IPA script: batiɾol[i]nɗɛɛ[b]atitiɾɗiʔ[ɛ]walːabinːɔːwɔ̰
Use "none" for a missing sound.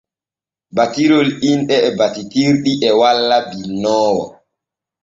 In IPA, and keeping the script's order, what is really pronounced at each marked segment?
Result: i, b, ɛ

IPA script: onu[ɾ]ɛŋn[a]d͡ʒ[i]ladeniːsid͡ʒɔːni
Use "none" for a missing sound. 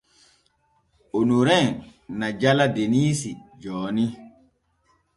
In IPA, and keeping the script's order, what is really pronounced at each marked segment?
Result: ɾ, a, a

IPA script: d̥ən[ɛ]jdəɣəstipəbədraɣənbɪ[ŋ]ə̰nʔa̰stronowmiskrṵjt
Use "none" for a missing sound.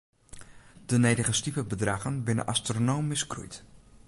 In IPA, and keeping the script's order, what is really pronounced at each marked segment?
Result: e, n

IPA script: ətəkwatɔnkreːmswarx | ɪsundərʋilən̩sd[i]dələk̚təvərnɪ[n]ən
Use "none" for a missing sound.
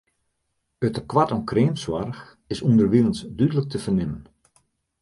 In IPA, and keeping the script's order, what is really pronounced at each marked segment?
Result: y, m

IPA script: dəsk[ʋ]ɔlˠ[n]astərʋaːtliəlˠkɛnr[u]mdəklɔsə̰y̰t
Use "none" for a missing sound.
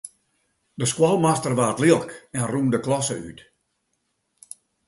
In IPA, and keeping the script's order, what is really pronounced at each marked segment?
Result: w, m, u

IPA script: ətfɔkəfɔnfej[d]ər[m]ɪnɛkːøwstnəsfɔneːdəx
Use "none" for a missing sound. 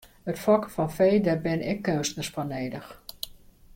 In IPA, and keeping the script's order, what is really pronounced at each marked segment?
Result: d, b

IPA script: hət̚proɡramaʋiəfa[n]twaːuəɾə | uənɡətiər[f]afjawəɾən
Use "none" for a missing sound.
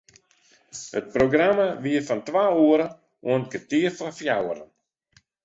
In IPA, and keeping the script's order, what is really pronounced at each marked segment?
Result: n, f

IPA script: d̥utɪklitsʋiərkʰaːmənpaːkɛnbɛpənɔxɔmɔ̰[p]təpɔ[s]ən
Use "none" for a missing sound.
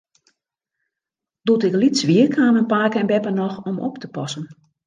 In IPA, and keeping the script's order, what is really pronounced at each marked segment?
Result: p, s

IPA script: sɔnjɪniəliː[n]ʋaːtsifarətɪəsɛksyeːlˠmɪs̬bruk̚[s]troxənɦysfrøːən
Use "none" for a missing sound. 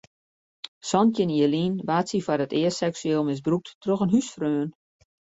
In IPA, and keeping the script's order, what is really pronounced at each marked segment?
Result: n, t

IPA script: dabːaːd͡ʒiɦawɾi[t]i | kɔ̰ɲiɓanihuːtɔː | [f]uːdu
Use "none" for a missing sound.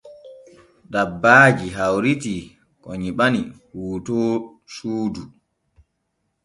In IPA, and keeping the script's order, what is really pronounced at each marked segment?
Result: t, s

